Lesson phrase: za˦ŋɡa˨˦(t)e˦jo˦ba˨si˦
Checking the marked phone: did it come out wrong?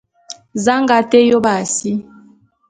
no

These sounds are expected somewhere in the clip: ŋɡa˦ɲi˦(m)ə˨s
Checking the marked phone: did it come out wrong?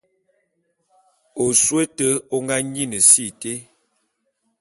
yes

